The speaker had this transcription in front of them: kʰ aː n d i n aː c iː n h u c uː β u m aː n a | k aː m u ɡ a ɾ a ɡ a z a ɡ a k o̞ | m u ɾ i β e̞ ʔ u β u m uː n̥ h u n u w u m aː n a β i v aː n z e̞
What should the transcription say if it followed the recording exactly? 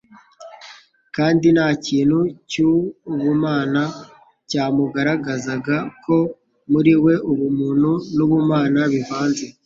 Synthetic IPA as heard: k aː n d i n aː c iː n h u c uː β u m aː n a | c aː m u ɡ a ɾ a ɡ a z a ɡ a k o̞ | m u ɾ i w e̞ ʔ u β u m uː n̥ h u n u β u m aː n a β i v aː n z e̞

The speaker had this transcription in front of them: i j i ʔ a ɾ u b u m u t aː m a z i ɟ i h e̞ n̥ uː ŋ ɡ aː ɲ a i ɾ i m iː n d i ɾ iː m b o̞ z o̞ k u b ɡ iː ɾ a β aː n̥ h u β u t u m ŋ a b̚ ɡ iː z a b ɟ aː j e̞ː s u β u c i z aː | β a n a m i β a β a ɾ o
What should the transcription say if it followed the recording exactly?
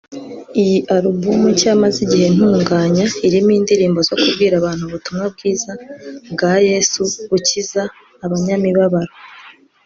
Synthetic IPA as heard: i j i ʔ a ɾ u b u m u c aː m a z i ɟ i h e̞ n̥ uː ŋ ɡ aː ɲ a i ɾ i m iː n d i ɾ iː m b o̞ z o̞ k u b ɡ iː ɾ a β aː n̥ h u β u t u m ŋ a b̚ ɡ iː z a b ɡ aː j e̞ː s u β u c i z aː | β a ɲ a m i β a β a ɾ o

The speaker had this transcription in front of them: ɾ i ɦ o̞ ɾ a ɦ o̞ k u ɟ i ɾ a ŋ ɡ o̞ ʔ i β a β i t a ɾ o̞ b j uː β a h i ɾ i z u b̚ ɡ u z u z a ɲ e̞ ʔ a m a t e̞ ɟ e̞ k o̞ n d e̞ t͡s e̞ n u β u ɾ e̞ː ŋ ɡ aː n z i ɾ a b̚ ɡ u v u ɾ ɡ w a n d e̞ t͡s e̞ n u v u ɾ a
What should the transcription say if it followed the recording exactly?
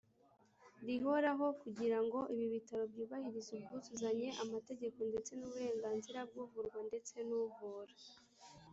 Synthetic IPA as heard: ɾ i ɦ o̞ ɾ a ɦ o̞ k u ɟ i ɾ a ŋ ɡ o̞ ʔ i β i β i t a ɾ o̞ b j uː β a h i ɾ i z u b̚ ɡ u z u z a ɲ e̞ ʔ a m a t e̞ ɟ e̞ k o̞ n d e̞ t͡s e̞ n u β u ɾ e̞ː ŋ ɡ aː n z i ɾ a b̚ ɡ u v u ɾ ɡ w a n d e̞ t͡s e̞ n u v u ɾ a

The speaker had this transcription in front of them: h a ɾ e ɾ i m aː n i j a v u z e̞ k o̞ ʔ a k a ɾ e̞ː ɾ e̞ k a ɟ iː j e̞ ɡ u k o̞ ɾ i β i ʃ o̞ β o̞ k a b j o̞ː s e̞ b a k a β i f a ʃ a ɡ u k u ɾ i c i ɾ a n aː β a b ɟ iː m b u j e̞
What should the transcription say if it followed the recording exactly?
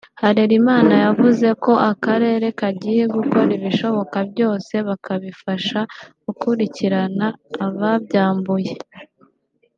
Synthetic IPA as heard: h a ɾ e ɾ i m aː n a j a v u z e̞ k o̞ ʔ a k a ɾ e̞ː ɾ e̞ k a ɟ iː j e̞ ɡ u k o̞ ɾ i β i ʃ o̞ β o̞ k a b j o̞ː s e̞ β a k a β i f a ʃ a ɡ u k u ɾ i c i ɾ a n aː β a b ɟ aː m b u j e̞

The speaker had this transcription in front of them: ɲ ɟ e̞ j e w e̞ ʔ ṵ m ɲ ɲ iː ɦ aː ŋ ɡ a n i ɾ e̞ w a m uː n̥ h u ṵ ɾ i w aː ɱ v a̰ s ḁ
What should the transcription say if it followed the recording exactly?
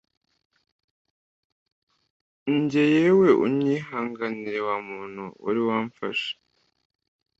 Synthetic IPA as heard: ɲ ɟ e̞ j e w e̞ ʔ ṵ m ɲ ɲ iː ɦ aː ŋ ɡ a n i ɾ e̞ w a m uː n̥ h u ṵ ɾ i w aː ɱ f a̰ ʃ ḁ

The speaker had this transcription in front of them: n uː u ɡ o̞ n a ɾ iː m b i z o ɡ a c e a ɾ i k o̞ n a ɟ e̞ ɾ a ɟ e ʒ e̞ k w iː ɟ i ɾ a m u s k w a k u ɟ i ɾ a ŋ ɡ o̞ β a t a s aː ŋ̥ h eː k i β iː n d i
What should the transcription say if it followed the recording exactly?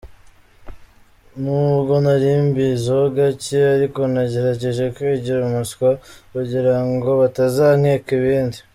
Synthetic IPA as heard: n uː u ɡ o̞ n a ɾ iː m b i z o ɡ a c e a ɾ i k o̞ n a ɟ e̞ ɾ a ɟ e ʒ e̞ k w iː ɟ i ɾ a m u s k w a k u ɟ i ɾ a ŋ ɡ o̞ β a t a z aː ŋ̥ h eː k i β iː n d i

